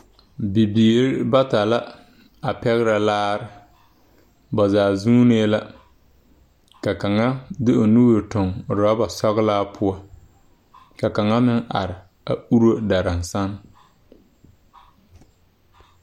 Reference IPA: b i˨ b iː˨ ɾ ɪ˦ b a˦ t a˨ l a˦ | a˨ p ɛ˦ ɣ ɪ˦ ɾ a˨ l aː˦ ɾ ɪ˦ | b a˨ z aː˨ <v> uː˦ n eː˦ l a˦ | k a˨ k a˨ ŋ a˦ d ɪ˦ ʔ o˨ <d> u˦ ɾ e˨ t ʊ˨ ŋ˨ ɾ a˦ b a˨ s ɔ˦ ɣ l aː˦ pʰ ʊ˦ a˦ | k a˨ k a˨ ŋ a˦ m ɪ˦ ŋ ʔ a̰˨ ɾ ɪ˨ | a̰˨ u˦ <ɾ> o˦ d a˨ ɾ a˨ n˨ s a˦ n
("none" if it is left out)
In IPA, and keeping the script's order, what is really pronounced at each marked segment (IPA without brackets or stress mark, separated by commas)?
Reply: z, n, ɾ